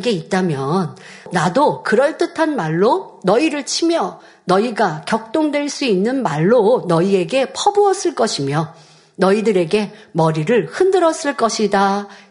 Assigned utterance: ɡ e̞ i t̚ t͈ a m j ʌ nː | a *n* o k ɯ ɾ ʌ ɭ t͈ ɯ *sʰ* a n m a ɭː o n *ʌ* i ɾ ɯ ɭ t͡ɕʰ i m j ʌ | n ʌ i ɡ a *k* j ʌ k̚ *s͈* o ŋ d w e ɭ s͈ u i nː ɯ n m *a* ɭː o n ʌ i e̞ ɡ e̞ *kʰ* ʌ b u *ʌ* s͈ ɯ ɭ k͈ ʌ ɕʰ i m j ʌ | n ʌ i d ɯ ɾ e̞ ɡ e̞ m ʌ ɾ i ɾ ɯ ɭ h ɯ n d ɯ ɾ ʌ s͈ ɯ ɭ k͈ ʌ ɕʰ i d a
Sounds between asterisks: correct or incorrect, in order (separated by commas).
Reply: incorrect, incorrect, correct, correct, incorrect, correct, incorrect, correct